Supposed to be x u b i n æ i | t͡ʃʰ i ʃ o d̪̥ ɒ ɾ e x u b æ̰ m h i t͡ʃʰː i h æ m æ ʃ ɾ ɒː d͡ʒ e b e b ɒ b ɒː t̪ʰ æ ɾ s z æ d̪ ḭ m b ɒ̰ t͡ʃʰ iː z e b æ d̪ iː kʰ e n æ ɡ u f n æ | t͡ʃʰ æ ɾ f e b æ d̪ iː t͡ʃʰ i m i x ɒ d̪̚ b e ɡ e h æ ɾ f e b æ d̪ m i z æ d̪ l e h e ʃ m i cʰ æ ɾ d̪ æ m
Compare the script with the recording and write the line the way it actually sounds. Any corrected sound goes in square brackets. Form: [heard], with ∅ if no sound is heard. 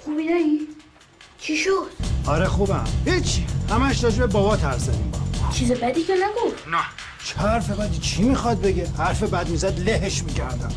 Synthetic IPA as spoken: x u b i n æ i | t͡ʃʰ i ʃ o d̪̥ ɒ ɾ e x u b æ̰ m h i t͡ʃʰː i h æ m æ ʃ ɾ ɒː d͡ʒ e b e b ɒ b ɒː t̪ʰ æ ɾ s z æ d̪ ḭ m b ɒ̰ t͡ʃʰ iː z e b æ d̪ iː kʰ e n æ ɡ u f n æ | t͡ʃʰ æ ɾ f e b æ d̪ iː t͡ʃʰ i m i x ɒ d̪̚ b e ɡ e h æ ɾ f e b æ d̪ m i z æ d̪ l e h e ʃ m i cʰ æ ɾ d̪ æ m